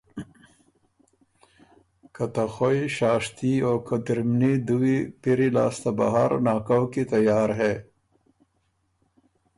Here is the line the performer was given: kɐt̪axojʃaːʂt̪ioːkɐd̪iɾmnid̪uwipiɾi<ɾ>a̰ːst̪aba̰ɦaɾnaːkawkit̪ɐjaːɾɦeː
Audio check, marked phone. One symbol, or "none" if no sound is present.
l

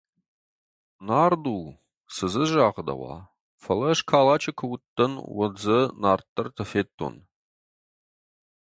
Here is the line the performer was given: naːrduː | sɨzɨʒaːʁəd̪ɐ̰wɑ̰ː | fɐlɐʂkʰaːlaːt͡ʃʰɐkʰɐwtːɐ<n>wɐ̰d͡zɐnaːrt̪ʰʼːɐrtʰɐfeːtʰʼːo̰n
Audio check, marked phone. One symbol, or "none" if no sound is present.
n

